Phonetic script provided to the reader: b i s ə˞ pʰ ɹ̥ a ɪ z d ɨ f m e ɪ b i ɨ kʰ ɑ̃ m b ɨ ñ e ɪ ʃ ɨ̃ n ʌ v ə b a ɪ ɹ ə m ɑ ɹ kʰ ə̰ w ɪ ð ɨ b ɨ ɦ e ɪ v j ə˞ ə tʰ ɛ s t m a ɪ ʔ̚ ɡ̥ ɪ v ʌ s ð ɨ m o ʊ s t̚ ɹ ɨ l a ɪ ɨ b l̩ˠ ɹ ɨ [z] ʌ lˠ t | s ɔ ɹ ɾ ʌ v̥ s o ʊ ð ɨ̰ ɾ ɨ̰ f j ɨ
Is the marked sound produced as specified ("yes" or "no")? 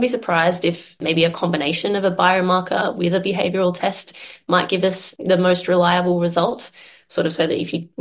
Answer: yes